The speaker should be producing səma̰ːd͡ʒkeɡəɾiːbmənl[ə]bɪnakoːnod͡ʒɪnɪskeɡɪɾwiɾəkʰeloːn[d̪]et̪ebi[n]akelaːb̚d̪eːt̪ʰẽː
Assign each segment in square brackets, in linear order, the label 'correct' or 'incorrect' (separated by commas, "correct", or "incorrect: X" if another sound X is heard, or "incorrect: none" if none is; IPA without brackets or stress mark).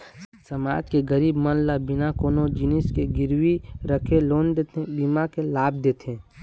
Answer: incorrect: a, correct, incorrect: m